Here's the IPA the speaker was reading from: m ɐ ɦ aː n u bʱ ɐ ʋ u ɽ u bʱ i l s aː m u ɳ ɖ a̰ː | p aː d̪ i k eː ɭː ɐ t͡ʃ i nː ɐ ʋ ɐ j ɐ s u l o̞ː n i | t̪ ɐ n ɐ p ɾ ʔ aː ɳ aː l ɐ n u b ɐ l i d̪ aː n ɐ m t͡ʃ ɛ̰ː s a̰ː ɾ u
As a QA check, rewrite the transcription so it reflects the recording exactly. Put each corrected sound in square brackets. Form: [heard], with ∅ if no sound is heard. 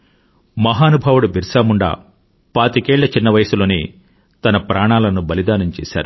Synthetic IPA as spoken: m ɐ ɦ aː n u bʱ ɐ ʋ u ɽ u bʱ i [ɾ] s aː m u ɳ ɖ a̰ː | p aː [t̪] i k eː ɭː ɐ t͡ʃ i nː ɐ ʋ ɐ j ɐ s u l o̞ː n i | t̪ ɐ n ɐ p ɾ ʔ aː ɳ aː l ɐ n u b ɐ l i d̪ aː n ɐ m t͡ʃ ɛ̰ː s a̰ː ɾ u